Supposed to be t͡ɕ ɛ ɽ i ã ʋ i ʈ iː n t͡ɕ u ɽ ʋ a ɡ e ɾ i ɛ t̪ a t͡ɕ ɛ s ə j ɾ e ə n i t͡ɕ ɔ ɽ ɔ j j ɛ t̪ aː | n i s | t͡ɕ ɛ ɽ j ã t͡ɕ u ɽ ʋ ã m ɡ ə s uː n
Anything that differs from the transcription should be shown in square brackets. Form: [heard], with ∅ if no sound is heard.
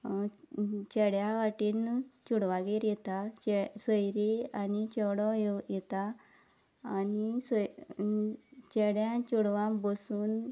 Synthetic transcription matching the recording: t͡ɕ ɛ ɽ [j] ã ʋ [a] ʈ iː n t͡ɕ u ɽ ʋ a ɡ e ɾ [j] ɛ t̪ a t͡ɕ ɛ s ə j ɾ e [a] n i t͡ɕ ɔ ɽ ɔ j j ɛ t̪ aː | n i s | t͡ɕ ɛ ɽ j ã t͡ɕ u ɽ ʋ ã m [b] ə s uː n